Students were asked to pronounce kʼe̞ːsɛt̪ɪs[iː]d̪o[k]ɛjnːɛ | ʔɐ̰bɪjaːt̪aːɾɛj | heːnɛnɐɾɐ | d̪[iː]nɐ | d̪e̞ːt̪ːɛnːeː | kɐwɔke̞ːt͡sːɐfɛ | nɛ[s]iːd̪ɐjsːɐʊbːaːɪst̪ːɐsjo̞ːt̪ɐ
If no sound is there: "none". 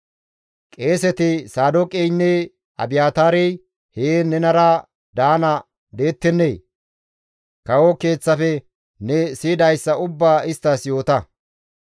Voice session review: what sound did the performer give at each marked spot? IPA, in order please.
aː, kʼ, aː, s

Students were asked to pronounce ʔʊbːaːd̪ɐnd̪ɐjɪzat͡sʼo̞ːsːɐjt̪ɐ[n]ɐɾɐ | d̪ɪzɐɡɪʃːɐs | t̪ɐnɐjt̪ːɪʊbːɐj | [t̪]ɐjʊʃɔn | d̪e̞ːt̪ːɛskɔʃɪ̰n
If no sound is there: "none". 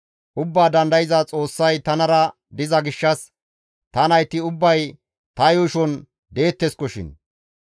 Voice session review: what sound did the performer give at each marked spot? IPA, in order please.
n, t̪

